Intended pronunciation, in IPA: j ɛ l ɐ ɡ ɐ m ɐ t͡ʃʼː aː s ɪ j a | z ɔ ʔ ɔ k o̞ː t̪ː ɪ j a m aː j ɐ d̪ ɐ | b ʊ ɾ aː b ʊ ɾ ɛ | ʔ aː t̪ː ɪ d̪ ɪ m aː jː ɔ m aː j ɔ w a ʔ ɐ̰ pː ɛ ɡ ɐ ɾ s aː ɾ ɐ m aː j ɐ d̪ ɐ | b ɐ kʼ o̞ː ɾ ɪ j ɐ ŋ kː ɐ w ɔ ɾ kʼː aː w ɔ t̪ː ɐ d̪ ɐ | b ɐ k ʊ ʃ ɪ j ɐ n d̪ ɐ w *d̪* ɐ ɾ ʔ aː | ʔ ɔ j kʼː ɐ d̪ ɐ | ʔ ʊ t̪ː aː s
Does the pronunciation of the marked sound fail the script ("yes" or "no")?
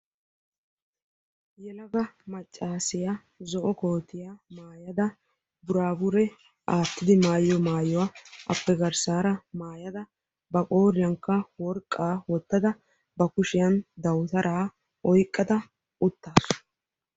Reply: yes